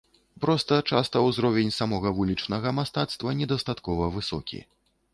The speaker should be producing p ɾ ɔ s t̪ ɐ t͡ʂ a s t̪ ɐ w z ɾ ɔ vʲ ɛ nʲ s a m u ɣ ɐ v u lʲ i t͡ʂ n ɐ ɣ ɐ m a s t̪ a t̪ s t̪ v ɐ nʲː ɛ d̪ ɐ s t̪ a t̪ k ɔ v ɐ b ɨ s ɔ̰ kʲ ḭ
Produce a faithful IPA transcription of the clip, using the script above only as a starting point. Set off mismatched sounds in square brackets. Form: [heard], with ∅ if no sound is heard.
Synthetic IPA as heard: p ɾ ɔ s t̪ ɐ t͡ʂ a s t̪ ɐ w z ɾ ɔ vʲ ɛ nʲ s a m [ɔ] ɣ ɐ v u lʲ i t͡ʂ n ɐ ɣ ɐ m a s t̪ a t̪ s t̪ v ɐ [nʲ] ɛ d̪ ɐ s t̪ a t̪ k ɔ v ɐ [v] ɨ s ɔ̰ kʲ ḭ